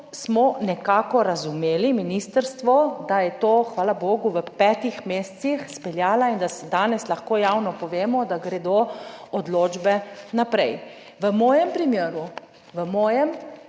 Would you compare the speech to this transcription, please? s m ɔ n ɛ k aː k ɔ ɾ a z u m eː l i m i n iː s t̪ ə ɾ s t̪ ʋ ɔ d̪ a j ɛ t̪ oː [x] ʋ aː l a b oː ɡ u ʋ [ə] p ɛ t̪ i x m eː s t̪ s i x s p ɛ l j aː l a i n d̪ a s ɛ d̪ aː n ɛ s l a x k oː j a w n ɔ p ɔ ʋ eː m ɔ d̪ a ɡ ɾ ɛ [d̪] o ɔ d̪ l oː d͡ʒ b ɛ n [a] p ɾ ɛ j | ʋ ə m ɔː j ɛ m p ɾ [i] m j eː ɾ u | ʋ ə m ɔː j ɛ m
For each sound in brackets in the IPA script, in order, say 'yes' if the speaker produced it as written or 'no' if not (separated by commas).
yes, yes, yes, yes, yes